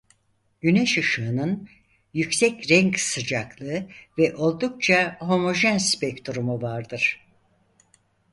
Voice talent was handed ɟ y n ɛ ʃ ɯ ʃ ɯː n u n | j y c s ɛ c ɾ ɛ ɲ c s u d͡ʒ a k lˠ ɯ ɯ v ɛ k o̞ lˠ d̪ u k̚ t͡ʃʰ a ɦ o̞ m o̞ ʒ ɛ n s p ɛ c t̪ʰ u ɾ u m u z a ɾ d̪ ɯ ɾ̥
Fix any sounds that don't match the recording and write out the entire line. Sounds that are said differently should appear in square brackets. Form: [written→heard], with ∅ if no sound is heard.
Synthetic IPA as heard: ɟ y n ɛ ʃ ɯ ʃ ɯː n [u→ɯ] n | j y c s ɛ c ɾ ɛ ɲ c s [u→ɯ] d͡ʒ a k lˠ ɯ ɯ v ɛ [k→ʔ] o̞ lˠ d̪ u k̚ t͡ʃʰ a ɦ o̞ m o̞ ʒ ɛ n s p ɛ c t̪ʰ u ɾ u m u [z→v] a ɾ d̪ ɯ ɾ̥